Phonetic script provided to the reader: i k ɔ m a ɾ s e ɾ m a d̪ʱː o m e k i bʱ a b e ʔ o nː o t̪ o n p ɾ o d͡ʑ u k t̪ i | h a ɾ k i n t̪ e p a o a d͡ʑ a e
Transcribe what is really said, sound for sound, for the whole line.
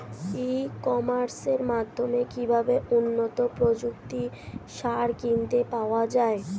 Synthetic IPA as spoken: i k ɔ m a ɾ s e ɾ m a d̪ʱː o m e k i bʱ a b e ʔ u nː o t̪ o p ɾ o d͡ʑ u k t̪ i | ʃ a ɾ k i n t̪ e p a o a d͡ʑ a e